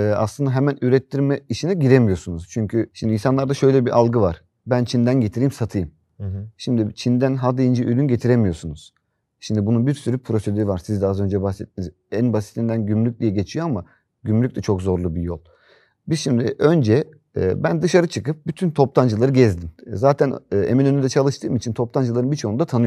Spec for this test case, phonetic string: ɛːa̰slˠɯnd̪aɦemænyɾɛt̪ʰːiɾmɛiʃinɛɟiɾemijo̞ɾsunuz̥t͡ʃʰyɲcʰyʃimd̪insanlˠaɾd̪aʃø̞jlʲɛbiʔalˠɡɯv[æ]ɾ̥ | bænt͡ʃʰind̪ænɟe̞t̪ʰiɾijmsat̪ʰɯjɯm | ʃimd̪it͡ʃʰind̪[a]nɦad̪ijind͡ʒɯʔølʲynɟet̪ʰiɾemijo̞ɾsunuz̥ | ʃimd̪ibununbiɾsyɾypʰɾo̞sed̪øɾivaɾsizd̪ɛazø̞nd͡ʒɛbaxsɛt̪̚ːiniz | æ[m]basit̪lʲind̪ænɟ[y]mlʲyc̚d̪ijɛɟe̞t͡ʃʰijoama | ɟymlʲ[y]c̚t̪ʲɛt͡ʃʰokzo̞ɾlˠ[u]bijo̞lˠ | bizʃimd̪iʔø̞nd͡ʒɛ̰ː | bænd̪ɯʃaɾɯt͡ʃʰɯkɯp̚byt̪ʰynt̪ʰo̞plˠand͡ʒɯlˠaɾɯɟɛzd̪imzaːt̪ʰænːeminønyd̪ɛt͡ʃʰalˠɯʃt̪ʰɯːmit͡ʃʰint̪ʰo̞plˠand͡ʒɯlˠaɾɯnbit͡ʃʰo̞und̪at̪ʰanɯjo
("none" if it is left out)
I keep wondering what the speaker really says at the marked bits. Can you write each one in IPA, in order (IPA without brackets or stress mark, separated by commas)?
a, æ, n, y, y, u